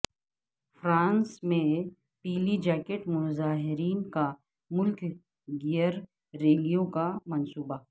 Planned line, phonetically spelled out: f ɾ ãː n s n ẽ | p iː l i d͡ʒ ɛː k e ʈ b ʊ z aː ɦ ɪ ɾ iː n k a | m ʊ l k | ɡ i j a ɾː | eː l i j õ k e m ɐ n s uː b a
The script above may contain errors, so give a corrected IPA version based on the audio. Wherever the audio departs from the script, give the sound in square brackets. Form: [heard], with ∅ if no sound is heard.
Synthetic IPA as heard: f ɾ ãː n s [m] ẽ | p iː l i d͡ʒ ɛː k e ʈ [m] ʊ z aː ɦ ɪ ɾ iː n k a | m ʊ l k | ɡ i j [ə] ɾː | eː l i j õ k [a] m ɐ n s uː b a